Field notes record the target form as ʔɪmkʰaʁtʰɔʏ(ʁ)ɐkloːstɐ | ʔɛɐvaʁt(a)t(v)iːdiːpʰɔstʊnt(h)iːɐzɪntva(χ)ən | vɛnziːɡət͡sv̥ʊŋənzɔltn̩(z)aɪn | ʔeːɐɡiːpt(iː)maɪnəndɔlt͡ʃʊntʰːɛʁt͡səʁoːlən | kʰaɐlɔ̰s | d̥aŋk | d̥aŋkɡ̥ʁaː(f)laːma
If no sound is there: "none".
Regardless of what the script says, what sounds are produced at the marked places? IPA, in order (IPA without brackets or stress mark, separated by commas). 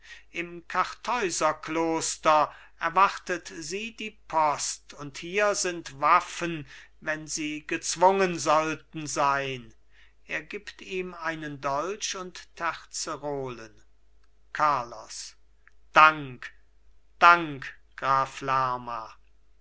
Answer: z, ə, z, h, f, z, iː, f